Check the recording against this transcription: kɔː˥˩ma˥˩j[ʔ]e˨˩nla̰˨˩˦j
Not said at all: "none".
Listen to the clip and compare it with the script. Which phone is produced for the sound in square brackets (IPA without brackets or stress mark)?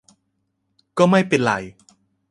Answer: p